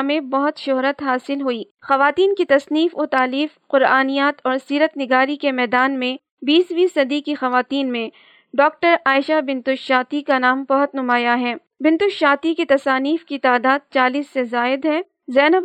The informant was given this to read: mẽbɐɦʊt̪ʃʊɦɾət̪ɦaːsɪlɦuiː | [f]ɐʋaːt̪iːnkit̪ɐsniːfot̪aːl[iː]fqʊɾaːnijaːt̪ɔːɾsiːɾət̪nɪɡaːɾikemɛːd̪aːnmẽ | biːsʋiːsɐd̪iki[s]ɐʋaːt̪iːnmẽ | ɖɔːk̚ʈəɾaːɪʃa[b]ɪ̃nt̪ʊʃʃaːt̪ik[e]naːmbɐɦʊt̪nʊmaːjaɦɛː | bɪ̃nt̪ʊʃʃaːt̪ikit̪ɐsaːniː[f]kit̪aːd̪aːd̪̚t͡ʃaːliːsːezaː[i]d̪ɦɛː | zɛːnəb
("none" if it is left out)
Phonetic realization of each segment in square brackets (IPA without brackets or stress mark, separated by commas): x, iː, x, b, a, f, ɪ